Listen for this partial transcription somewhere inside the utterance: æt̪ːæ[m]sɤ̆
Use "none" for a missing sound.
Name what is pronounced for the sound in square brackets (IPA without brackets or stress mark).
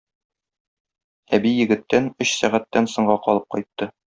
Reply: n